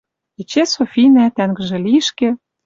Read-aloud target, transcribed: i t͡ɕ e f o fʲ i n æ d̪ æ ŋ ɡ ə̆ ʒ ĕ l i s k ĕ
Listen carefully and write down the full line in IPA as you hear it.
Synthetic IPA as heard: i t͡ɕ e s o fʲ i n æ t̪ æ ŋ ɡ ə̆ ʒ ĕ l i ʃ k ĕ